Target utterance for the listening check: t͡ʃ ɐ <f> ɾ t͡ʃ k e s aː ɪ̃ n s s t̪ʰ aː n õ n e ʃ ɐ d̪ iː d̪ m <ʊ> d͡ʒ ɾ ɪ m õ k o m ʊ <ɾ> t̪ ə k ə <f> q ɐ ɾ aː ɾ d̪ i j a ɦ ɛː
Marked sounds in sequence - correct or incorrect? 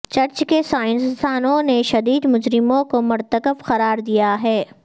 incorrect: none, correct, correct, correct

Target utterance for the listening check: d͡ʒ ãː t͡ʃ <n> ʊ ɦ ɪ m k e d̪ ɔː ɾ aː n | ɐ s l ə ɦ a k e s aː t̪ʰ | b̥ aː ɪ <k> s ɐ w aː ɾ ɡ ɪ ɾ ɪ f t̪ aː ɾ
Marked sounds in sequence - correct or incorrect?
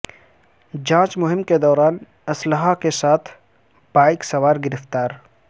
incorrect: m, correct

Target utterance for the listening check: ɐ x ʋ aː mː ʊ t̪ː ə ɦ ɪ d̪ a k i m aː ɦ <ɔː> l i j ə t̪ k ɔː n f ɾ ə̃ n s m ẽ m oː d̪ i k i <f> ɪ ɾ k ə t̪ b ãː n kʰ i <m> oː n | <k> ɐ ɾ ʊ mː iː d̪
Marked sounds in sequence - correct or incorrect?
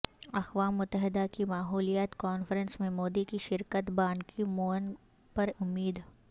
incorrect: uː, incorrect: ʃ, correct, incorrect: p

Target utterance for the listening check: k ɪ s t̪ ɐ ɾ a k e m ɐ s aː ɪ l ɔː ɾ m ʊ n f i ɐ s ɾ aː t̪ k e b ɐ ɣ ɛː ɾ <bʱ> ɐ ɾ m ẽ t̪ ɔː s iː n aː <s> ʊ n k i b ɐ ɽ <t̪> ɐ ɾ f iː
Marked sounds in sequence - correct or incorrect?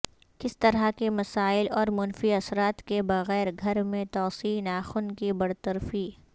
incorrect: ɡʱ, incorrect: x, correct

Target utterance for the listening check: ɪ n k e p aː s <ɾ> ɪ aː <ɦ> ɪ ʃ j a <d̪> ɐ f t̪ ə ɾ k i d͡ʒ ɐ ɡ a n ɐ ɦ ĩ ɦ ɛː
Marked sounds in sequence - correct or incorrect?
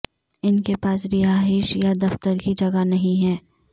correct, correct, correct

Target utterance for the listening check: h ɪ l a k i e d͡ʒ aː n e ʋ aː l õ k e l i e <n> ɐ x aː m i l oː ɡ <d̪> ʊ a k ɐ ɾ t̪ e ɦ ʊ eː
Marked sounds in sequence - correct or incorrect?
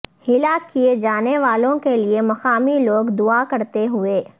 incorrect: m, correct

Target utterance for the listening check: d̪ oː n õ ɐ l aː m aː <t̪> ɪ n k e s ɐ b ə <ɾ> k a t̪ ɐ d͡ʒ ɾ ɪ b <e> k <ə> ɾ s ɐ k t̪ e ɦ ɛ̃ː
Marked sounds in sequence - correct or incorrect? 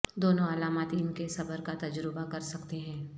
correct, correct, incorrect: a, incorrect: ɐ

